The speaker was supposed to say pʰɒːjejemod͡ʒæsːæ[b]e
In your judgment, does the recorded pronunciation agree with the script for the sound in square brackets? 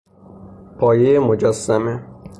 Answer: no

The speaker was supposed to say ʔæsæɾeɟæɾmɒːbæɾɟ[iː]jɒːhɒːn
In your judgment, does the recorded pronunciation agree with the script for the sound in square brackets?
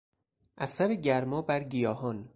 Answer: no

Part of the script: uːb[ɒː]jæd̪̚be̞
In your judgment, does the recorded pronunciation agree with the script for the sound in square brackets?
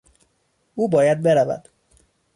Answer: yes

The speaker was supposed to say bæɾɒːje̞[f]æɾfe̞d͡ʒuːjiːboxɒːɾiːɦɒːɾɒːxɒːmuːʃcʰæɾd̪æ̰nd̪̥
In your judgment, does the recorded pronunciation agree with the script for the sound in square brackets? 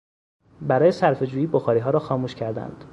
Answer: no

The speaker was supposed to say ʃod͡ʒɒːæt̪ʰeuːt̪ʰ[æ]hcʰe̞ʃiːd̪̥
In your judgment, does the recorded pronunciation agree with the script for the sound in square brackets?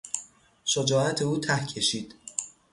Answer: yes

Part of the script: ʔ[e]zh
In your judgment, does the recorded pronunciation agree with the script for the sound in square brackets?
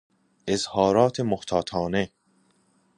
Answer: yes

